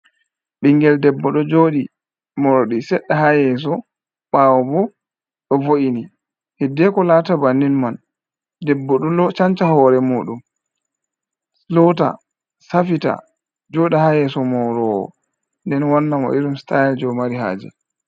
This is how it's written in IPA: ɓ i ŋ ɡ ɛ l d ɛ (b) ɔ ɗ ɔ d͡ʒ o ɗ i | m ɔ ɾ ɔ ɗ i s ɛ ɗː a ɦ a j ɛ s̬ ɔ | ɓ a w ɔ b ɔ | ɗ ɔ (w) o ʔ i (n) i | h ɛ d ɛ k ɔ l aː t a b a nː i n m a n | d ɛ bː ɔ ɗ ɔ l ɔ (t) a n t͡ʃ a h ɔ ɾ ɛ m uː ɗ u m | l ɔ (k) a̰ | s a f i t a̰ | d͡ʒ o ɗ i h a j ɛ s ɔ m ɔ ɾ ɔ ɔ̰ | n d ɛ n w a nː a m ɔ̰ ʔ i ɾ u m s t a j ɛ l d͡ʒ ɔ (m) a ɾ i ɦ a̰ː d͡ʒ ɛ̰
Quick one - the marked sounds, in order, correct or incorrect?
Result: incorrect, incorrect, correct, incorrect, incorrect, correct

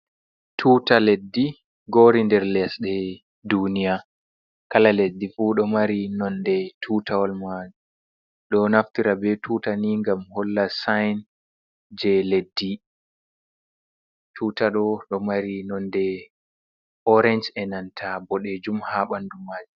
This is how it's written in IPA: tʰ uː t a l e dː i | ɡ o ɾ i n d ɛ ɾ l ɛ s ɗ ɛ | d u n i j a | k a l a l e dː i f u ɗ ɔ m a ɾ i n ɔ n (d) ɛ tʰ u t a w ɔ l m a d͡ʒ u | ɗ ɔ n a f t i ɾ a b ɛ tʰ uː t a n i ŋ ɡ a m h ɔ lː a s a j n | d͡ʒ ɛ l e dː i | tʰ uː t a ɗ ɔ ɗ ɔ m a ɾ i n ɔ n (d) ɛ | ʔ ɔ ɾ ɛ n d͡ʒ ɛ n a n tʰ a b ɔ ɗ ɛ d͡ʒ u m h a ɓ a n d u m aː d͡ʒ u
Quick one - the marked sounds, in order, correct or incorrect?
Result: correct, correct

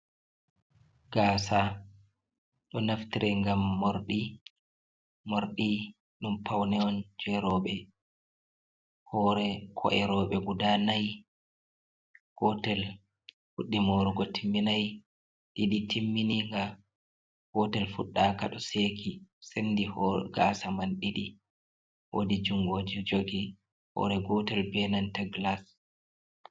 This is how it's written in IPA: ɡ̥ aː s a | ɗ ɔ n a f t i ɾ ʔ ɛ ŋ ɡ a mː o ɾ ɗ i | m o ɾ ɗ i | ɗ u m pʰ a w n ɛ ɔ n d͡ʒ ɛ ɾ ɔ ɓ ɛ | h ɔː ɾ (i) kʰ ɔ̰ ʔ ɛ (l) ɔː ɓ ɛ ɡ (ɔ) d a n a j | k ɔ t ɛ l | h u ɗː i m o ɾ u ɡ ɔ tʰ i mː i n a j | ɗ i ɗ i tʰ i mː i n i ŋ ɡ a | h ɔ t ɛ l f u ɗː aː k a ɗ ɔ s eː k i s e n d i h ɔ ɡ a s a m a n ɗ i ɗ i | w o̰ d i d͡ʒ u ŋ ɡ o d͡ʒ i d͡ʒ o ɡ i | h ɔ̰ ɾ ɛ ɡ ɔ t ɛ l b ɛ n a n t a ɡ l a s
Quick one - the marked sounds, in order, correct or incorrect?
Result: incorrect, incorrect, incorrect

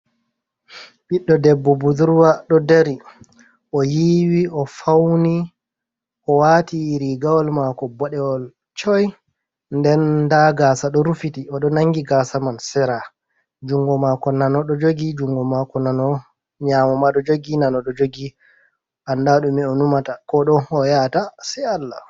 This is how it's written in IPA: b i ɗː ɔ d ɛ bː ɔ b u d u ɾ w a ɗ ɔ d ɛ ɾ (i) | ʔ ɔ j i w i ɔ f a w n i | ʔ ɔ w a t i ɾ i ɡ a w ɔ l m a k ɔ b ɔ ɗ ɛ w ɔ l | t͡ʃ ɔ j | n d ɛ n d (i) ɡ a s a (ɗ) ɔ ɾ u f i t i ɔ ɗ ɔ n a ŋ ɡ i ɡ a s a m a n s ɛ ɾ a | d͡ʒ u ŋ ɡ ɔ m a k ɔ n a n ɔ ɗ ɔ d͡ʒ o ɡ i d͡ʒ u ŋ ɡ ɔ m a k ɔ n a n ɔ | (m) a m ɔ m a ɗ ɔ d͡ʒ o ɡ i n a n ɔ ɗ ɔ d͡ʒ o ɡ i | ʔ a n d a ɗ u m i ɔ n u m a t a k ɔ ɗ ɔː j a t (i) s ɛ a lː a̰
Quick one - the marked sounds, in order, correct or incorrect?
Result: correct, incorrect, correct, incorrect, incorrect

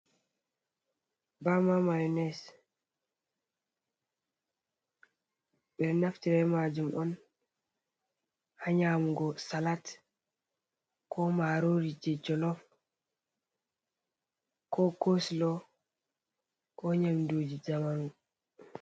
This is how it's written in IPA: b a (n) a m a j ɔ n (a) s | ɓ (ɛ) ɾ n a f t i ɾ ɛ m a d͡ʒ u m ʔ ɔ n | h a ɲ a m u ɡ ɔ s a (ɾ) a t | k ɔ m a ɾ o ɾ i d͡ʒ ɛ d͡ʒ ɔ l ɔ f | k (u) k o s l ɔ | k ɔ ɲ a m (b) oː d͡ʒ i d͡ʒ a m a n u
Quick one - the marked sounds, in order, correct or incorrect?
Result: incorrect, incorrect, correct, incorrect, incorrect, incorrect

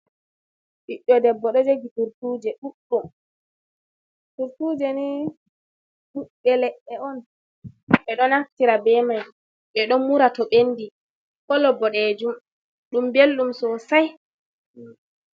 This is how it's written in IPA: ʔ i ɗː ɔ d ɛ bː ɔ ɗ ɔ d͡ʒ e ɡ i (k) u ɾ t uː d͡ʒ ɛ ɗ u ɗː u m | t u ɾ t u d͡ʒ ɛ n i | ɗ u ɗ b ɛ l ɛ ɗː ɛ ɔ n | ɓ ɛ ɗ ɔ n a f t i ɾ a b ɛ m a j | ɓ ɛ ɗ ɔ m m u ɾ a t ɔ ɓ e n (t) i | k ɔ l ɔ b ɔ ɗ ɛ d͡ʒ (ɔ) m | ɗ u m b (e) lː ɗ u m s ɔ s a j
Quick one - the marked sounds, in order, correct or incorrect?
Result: incorrect, incorrect, incorrect, correct

